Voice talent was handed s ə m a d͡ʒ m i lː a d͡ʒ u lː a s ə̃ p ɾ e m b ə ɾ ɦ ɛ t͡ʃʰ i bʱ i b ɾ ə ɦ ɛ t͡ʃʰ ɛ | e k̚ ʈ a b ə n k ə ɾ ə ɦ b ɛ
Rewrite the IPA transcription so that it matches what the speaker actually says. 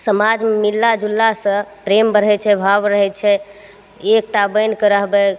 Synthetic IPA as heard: s ə m a d͡ʒ m i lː a d͡ʒ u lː a s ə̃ p ɾ e m b ə ɾ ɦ ɛ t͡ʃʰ ɛ bʱ a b ɾ ə ɦ ɛ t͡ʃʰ ɛ | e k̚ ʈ a b ə n k ə ɾ ə ɦ b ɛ